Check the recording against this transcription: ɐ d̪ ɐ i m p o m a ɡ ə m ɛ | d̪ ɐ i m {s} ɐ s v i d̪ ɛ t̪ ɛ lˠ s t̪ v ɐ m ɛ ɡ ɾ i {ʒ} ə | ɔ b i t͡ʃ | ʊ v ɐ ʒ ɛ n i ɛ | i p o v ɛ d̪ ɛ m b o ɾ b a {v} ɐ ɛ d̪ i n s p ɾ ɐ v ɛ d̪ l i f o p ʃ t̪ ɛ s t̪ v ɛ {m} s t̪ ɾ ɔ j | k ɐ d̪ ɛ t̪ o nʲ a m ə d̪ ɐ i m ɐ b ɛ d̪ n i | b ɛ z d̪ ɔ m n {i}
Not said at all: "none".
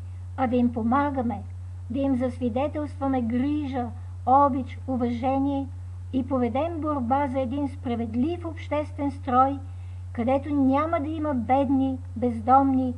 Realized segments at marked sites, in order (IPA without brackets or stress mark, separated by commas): z, ʒ, z, n, i